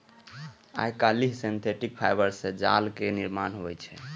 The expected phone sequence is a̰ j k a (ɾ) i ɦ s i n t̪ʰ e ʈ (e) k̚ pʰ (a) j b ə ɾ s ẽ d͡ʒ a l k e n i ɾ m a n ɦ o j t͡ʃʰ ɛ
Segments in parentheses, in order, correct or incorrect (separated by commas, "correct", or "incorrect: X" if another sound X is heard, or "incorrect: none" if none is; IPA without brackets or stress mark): incorrect: l, incorrect: i, correct